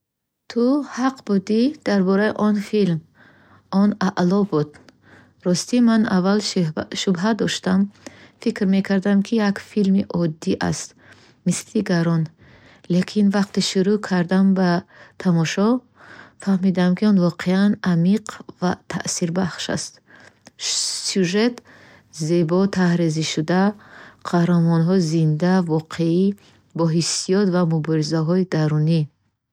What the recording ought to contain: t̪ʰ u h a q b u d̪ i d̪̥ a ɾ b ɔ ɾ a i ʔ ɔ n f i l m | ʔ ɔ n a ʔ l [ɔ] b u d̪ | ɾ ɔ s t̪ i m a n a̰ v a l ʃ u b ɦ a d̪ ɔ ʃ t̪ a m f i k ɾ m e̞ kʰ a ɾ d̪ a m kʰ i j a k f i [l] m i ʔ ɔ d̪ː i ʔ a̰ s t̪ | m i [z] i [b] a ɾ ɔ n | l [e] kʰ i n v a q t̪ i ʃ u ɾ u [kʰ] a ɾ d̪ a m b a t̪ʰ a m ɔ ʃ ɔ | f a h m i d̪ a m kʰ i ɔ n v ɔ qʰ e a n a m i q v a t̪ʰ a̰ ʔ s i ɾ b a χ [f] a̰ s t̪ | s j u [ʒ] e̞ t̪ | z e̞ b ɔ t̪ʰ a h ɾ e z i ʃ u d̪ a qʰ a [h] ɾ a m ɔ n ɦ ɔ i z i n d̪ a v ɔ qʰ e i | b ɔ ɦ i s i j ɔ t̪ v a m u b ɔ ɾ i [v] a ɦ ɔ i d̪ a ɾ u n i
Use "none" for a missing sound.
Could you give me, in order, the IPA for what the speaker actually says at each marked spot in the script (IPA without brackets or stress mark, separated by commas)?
ɔ, l, s, ɡ, e, kʰ, ʃ, ʒ, h, z